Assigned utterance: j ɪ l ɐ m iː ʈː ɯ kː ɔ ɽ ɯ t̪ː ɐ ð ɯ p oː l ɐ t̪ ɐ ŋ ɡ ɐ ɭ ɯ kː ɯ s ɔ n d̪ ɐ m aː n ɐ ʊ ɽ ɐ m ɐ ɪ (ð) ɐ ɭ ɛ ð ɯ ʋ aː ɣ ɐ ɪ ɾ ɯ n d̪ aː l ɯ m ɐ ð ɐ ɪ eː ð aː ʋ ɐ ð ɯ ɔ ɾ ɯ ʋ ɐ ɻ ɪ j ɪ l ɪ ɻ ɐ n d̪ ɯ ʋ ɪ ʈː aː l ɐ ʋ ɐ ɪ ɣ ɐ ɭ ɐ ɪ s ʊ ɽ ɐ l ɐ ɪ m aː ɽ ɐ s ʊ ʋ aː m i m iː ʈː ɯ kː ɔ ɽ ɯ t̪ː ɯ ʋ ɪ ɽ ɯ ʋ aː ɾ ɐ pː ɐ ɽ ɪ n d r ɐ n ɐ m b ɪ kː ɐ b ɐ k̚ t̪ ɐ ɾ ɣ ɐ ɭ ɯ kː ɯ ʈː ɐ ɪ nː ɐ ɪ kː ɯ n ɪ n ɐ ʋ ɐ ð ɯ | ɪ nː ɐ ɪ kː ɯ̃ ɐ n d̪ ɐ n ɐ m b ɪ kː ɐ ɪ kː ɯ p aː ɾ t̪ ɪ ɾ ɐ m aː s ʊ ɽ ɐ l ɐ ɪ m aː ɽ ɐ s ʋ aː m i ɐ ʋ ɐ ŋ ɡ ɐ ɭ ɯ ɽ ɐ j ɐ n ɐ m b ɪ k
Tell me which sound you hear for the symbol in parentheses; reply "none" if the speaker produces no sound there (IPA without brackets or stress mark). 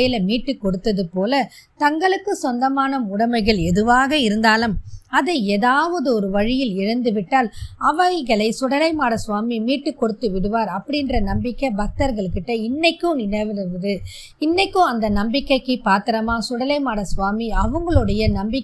ɣ